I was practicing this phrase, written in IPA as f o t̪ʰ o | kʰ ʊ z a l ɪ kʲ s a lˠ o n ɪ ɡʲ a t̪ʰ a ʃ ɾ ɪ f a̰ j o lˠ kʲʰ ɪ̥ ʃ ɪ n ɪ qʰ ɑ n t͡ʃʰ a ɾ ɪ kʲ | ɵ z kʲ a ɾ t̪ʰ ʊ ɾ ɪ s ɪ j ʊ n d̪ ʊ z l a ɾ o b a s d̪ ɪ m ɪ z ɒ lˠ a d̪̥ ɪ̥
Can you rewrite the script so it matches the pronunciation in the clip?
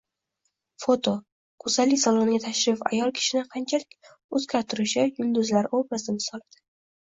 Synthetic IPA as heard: f o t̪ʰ o | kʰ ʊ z a l ɪ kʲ s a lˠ o n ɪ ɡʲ a t̪ʰ a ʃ ɾ ɪ f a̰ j ɒ lˠ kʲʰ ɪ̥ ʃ ɪ n ɪ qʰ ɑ n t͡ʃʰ a l ɪ kʲ | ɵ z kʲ a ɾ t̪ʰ ʊ ɾ ɪ ʃ ɪ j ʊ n d̪ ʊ z l a ɾ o b a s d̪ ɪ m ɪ s ɒ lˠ a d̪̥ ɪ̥